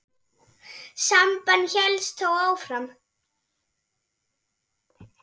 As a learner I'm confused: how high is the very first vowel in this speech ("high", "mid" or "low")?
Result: low